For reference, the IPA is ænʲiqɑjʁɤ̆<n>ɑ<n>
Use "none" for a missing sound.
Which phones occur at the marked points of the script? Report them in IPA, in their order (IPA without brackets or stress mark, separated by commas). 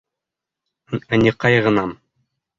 n, m